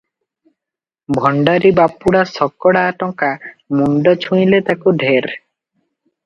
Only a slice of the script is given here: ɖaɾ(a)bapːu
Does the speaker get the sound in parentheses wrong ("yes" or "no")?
yes